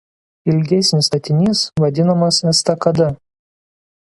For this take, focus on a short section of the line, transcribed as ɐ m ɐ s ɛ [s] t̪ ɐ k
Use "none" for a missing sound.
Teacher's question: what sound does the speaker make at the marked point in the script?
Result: s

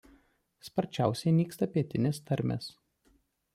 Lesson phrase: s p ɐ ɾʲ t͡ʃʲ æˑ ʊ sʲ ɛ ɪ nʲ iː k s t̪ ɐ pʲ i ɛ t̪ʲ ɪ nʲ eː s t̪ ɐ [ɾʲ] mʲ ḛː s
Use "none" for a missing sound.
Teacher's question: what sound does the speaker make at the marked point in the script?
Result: ɾʲ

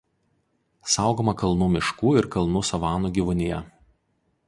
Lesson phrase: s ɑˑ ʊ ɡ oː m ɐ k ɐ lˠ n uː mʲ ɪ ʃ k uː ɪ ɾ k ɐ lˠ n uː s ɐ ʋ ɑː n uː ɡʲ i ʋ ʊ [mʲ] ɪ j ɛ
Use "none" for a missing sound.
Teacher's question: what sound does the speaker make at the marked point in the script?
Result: nʲ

